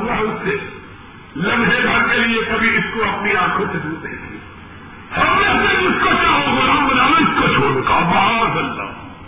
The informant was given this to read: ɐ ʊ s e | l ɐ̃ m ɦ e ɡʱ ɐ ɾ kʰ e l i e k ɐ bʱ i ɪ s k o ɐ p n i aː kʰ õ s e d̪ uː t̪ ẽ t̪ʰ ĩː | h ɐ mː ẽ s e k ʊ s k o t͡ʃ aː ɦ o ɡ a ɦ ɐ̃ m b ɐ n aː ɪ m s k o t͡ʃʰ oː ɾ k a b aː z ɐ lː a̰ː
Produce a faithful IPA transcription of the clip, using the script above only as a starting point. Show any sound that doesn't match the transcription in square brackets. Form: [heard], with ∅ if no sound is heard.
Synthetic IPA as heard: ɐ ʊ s e | l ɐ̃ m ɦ e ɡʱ ɐ ɾ [k] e l i e k ɐ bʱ i ɪ s k o ɐ p n i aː kʰ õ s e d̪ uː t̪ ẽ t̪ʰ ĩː | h ɐ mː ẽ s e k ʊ s k o t͡ʃ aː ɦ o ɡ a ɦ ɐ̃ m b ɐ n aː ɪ [∅] s k o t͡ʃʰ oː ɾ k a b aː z ɐ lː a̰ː